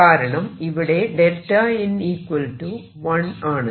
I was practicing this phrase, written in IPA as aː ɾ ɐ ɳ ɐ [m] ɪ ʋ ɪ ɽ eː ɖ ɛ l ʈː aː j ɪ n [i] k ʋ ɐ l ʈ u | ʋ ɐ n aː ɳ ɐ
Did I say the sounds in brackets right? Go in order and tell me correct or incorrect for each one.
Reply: correct, incorrect: iː

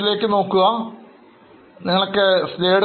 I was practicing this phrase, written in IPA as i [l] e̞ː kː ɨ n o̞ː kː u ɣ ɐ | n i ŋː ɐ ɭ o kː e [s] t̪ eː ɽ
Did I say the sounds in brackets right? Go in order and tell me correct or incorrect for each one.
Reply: correct, correct

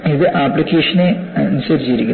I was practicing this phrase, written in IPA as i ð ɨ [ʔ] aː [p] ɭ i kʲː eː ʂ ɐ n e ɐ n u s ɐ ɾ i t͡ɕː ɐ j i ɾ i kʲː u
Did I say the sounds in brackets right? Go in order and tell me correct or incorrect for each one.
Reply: correct, correct

